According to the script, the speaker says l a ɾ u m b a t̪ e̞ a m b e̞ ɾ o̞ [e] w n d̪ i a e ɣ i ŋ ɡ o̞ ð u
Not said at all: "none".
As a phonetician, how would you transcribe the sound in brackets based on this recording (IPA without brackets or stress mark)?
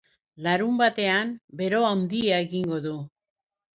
a